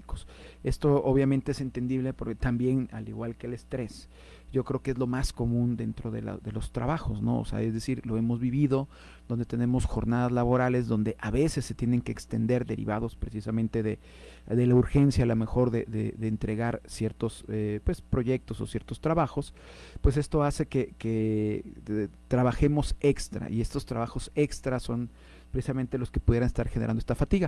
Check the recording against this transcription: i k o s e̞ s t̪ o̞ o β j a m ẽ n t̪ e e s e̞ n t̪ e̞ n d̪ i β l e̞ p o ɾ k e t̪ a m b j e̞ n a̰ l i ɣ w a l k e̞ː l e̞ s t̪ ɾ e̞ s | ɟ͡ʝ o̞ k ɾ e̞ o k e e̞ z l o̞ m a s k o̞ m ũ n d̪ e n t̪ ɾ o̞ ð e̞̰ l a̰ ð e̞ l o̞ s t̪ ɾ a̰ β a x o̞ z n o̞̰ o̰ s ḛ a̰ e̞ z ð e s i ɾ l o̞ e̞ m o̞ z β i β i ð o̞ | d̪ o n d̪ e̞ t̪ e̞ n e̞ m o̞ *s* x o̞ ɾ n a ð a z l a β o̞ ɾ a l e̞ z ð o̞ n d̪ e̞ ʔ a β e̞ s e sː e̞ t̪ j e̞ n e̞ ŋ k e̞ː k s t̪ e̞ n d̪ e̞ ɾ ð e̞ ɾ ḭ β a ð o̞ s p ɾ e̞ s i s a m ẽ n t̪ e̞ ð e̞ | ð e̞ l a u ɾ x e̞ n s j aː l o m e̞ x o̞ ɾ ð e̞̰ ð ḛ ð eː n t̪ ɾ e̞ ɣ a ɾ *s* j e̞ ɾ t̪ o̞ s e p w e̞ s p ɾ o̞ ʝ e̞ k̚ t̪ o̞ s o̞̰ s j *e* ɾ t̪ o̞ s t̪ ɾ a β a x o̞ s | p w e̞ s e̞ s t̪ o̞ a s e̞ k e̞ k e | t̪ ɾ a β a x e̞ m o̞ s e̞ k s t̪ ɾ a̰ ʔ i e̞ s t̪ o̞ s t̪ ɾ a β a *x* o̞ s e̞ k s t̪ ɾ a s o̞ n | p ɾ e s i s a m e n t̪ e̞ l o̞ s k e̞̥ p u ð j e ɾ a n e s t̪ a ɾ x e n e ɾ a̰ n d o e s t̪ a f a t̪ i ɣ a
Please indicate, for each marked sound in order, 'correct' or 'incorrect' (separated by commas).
correct, correct, correct, correct